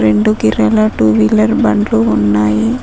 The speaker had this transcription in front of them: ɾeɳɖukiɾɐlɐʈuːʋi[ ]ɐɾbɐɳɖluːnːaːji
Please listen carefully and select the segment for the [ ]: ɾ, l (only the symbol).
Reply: l